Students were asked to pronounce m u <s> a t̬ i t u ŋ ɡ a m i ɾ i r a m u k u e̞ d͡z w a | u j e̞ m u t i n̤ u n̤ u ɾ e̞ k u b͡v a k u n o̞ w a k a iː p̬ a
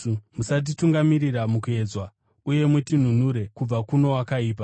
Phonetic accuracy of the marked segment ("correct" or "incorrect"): correct